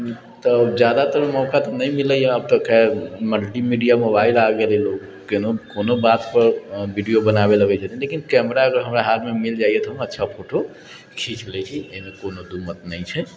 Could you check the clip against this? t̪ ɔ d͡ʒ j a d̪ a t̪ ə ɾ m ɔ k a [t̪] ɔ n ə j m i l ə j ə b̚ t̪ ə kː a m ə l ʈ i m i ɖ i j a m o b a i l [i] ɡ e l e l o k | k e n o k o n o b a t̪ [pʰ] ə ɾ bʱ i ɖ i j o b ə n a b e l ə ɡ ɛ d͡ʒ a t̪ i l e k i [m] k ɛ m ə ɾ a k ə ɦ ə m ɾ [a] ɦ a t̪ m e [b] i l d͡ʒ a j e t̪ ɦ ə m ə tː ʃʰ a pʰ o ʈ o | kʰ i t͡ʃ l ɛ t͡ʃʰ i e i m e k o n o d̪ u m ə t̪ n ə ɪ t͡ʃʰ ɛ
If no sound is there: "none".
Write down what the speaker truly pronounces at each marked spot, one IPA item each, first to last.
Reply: t̪, a, p, n, a, m

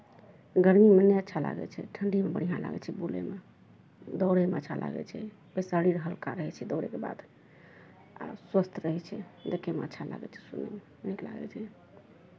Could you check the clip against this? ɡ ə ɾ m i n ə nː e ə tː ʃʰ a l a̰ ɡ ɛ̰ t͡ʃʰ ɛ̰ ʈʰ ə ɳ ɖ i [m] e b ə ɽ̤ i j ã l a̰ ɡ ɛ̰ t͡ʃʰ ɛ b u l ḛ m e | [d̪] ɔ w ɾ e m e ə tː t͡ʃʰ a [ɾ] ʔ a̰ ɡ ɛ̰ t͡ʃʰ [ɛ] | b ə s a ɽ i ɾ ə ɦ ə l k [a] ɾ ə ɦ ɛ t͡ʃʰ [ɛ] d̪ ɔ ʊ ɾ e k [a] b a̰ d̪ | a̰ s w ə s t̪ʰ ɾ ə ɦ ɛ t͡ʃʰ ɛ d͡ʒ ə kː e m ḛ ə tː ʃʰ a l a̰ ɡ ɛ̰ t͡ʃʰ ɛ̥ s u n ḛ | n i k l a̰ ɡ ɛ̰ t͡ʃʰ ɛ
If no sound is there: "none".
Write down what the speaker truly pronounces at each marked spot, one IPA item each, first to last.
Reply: m, d̪, l, ɛ, a, ɛ, e

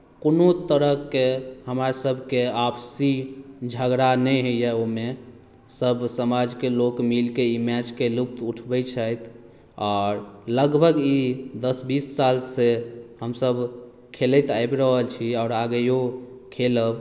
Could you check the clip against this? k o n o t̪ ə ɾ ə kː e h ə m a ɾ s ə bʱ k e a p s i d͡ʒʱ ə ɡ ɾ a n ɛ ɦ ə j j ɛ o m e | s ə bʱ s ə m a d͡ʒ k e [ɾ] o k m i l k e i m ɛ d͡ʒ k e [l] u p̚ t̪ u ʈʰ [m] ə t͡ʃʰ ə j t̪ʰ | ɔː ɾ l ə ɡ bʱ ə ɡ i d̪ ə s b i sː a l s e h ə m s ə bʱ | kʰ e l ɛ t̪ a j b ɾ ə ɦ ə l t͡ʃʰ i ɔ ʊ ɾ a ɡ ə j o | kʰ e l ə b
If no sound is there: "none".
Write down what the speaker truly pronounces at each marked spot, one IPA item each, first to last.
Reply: l, l, b

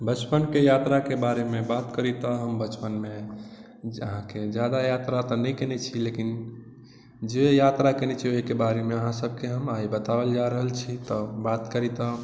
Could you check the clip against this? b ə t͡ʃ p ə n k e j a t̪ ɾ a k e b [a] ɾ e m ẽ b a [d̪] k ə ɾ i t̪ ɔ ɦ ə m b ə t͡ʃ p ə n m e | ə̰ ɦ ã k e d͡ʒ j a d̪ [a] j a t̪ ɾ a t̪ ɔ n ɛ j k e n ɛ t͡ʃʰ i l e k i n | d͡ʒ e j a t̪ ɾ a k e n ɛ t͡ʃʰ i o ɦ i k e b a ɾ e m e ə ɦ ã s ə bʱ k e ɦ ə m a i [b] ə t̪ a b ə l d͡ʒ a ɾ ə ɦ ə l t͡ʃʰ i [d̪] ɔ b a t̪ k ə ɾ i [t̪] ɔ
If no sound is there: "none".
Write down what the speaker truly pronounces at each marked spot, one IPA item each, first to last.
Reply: a, t̪, a, b, t̪, t̪

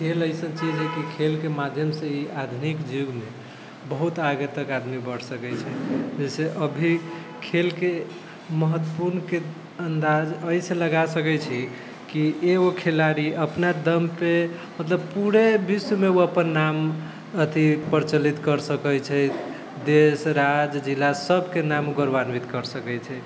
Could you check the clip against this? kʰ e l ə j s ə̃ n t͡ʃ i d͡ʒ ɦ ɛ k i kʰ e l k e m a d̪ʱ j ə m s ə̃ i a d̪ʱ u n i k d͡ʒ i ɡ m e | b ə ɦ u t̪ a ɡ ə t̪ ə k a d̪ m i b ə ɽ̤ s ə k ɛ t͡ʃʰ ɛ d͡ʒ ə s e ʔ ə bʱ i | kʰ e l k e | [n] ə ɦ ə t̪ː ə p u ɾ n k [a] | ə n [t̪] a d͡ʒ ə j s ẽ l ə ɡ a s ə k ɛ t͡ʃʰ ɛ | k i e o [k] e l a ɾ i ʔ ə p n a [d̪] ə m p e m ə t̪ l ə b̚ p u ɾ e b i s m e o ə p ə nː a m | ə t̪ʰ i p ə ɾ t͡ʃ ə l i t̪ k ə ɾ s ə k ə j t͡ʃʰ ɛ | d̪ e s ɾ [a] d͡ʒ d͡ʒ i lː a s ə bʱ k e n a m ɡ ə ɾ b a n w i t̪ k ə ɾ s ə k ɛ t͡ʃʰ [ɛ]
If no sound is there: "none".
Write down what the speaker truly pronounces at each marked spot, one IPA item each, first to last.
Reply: m, e, d̪, kʰ, d̪, a, ɛ

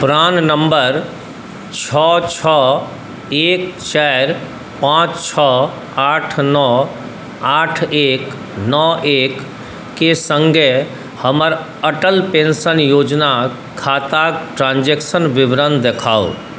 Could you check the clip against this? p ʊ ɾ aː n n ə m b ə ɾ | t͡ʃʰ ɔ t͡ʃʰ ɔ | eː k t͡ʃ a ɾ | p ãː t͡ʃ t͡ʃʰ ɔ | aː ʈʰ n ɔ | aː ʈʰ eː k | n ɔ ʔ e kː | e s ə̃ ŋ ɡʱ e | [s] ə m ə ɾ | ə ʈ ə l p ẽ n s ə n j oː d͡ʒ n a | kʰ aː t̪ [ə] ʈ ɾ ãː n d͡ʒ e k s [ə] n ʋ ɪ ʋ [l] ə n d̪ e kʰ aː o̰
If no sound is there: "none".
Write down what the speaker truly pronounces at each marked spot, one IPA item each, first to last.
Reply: h, a, ə, ɾ

